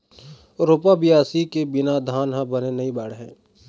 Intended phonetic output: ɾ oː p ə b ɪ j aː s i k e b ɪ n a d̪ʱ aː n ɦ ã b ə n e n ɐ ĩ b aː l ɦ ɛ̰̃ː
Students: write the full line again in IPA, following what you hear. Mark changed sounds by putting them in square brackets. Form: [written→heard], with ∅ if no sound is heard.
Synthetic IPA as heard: ɾ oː p [ə→a] b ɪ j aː s i k e b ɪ n a d̪ʱ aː n ɦ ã b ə n e n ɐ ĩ b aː [l→ɽ] ɦ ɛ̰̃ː